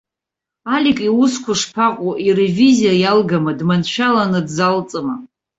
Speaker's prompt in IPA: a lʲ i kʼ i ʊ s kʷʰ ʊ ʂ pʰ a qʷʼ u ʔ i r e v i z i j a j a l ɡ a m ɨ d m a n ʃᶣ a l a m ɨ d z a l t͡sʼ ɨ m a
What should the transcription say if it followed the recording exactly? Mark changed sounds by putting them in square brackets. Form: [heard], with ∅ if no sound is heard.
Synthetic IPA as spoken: a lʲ i kʼ i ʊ s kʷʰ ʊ ʂ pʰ a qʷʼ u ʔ i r e v i z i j a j a l ɡ a m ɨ d m a n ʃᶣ a l a [n] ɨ d z a l t͡sʼ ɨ m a